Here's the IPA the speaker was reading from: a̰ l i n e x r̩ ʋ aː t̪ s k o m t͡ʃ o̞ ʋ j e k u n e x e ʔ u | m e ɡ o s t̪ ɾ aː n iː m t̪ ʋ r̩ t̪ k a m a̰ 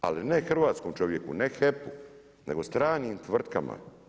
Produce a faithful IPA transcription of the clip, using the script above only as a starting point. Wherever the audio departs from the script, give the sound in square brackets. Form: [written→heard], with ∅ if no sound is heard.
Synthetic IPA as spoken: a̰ l i n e x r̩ ʋ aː t̪ s k o m t͡ʃ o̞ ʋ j e k u n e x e [ʔ→p] u | [m→n] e ɡ o s t̪ ɾ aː n iː m t̪ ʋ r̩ t̪ k a m a̰